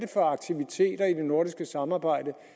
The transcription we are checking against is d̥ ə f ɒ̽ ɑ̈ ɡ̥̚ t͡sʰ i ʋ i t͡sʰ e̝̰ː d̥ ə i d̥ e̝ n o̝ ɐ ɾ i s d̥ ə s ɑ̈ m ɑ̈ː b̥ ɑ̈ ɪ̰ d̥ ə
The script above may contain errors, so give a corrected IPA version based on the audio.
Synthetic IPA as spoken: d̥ ə f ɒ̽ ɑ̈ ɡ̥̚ t͡sʰ i ʋ i t͡sʰ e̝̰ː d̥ ɐ i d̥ e̝ n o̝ ɐ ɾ i s ɡ̥ ə s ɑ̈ m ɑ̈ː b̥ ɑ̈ ɪ̰ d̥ ə